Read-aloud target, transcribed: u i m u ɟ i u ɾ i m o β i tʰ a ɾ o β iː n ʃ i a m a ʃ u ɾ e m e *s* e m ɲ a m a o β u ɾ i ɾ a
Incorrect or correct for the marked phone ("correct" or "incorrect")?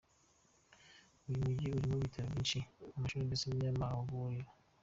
correct